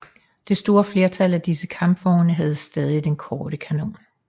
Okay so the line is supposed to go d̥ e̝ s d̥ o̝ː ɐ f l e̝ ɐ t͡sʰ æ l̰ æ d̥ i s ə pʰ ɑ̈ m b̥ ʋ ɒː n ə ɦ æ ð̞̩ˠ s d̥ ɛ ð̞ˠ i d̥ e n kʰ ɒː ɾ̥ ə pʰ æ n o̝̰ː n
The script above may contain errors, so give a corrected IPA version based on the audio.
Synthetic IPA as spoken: d̥ e̝ s d̥ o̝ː ɐ f l e̝ ɐ t͡sʰ æ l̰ æ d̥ i s ə kʰ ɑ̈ m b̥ ʋ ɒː n ə ɦ æ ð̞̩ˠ s d̥ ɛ ð̞ˠ i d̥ e n kʰ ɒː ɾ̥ ə kʰ æ n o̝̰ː n